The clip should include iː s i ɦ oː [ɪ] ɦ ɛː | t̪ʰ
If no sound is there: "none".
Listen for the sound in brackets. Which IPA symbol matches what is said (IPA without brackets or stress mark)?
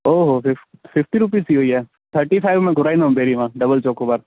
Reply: i